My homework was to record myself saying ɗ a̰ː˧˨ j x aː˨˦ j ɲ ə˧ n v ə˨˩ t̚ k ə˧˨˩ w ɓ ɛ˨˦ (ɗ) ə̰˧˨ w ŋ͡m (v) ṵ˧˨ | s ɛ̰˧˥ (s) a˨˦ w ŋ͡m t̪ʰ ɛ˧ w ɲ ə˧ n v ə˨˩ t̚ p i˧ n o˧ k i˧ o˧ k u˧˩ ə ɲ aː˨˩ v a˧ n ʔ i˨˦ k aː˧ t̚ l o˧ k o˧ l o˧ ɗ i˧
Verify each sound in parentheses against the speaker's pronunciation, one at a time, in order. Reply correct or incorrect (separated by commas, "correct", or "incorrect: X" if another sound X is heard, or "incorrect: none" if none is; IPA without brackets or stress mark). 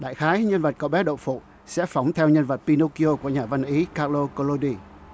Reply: correct, incorrect: f, incorrect: f